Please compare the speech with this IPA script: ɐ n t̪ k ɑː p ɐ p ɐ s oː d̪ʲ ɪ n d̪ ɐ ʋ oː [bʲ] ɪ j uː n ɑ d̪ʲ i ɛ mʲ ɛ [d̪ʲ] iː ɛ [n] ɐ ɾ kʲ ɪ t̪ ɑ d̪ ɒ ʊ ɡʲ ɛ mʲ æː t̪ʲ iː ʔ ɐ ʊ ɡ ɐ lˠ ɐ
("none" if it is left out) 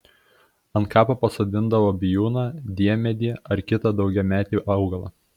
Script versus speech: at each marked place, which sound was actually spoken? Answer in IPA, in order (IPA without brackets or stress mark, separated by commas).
bʲ, d̪ʲ, none